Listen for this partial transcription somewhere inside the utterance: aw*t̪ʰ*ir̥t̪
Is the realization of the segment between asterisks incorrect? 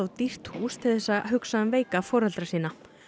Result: yes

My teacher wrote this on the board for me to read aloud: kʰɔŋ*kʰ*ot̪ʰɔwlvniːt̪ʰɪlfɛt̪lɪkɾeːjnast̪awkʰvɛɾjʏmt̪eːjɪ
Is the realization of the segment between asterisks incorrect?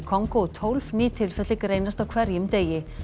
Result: yes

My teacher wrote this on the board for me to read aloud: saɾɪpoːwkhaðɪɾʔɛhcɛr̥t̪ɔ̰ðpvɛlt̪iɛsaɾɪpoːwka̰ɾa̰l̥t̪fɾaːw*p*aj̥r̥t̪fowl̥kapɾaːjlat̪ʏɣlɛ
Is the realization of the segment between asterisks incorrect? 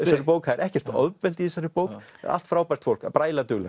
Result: no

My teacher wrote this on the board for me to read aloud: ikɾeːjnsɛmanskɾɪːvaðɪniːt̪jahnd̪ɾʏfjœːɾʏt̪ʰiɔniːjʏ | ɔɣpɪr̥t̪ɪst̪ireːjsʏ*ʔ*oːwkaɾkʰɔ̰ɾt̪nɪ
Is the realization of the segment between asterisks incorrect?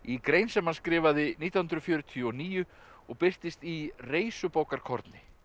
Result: yes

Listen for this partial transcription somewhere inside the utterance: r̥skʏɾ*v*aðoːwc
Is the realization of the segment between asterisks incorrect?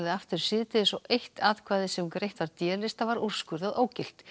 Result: yes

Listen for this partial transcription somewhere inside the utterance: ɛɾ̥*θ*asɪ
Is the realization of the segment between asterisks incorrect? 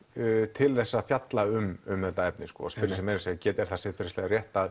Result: no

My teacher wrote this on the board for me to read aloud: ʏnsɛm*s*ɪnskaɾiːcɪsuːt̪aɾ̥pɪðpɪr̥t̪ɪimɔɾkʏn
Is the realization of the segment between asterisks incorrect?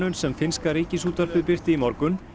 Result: yes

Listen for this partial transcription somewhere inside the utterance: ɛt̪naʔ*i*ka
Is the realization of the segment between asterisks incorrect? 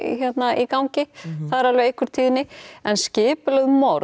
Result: no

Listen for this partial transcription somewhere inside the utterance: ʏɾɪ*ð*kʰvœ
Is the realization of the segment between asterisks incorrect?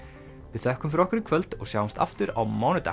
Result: yes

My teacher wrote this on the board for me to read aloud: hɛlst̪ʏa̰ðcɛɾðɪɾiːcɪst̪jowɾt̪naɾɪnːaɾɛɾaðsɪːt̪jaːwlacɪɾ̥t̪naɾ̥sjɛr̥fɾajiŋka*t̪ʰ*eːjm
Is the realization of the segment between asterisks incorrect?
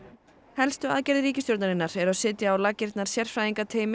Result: no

